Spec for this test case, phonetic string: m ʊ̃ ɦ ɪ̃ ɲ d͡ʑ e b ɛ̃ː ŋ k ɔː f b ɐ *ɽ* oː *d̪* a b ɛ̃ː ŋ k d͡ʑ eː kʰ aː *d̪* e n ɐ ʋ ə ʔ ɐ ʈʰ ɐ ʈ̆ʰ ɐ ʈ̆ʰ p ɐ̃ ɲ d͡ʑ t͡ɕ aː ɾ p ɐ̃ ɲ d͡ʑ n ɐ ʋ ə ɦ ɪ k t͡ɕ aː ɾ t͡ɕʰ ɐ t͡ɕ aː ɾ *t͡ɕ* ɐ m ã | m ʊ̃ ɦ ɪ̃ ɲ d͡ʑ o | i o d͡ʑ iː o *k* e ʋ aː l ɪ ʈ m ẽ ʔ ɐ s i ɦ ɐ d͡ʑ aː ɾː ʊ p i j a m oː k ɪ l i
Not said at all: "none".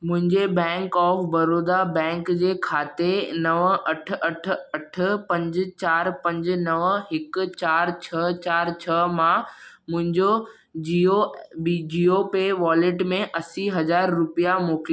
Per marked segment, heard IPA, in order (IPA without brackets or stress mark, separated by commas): ɾ, d̪, t̪, t͡ɕʰ, p